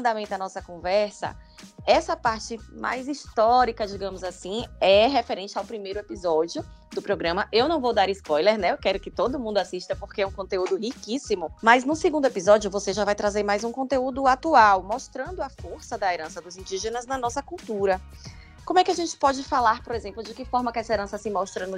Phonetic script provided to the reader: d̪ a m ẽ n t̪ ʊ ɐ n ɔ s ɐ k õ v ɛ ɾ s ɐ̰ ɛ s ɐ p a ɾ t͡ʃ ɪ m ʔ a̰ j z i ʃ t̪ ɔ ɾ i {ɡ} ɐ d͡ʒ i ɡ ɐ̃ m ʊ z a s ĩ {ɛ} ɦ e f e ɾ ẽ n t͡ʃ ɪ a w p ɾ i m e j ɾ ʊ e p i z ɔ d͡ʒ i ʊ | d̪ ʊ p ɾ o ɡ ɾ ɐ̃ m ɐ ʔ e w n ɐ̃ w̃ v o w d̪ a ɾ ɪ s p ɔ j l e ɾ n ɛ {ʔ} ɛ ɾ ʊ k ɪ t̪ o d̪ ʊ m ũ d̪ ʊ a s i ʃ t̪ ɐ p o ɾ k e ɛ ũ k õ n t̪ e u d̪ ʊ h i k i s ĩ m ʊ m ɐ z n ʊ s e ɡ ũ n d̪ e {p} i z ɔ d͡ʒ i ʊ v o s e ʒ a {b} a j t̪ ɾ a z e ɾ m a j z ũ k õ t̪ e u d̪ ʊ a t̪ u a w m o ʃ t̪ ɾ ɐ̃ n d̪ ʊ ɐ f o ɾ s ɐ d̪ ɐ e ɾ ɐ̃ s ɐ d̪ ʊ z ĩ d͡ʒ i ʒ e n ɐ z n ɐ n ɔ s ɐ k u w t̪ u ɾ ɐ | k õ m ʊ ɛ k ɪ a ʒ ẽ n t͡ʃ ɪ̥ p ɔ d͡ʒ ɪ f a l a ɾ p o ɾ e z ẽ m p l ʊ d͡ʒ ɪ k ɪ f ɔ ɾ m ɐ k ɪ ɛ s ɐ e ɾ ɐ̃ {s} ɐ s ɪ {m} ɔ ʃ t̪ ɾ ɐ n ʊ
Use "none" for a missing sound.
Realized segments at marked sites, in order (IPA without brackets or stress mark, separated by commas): k, ɛ, k, p, v, s, m